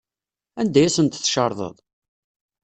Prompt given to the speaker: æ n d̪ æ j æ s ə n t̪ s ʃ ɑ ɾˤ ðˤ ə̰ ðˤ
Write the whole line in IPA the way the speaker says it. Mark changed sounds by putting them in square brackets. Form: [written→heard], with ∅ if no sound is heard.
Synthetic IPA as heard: æ n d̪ æ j æ s ə n t̪ [s→θ] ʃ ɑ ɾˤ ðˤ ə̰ ðˤ